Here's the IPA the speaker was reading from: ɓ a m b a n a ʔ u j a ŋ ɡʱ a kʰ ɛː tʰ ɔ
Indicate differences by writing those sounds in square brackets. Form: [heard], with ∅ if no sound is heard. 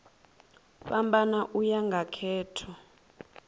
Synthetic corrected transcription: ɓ a m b a n a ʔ u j a ŋ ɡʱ a kʰ ɛː tʰ ɔ